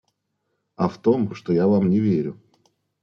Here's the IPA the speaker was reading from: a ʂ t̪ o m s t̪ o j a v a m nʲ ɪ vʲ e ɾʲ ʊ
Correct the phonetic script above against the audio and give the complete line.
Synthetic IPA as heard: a f t̪ o m ʂ t̪ o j a v a m nʲ ɪ vʲ e ɾʲ ʊ